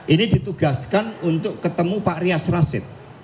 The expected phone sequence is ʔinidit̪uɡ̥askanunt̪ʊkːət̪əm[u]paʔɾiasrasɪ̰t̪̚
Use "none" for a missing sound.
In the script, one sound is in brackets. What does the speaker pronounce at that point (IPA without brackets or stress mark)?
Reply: u